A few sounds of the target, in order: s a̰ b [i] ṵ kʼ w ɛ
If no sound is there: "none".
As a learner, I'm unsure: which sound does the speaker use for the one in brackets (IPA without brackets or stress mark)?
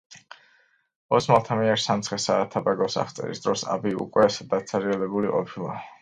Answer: i